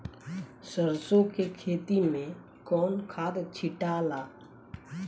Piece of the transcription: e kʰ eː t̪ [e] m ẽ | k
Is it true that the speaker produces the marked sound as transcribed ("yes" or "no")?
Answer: no